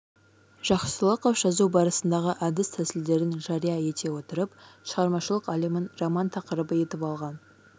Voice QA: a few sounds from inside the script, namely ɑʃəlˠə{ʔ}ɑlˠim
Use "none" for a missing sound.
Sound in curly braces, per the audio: q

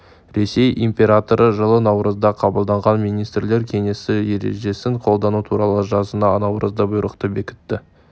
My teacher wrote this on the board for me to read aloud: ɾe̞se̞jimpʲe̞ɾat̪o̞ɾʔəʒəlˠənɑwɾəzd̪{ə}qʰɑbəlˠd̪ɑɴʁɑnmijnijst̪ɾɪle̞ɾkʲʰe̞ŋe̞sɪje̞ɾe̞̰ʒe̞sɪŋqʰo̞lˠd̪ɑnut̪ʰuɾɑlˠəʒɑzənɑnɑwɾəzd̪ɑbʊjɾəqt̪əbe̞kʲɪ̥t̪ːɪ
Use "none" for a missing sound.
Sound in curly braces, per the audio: ɑ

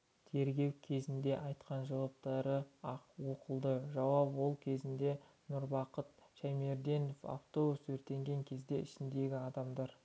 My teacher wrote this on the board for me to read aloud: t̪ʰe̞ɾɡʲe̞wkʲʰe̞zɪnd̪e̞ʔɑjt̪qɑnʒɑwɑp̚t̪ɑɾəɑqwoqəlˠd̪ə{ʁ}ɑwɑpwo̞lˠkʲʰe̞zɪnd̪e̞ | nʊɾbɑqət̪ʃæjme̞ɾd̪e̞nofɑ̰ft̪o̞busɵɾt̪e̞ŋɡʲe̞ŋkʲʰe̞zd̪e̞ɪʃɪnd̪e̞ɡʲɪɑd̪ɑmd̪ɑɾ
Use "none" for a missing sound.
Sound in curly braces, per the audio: ʒ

